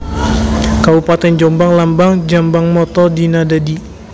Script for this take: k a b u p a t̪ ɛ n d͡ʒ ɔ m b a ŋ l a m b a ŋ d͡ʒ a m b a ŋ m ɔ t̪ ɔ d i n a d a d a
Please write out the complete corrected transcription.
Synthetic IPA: k a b u p a t̪ ɛ n d͡ʒ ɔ m b a ŋ l a m b a ŋ d͡ʒ a m b a ŋ m ɔ t̪ ɔ d i n a d a d i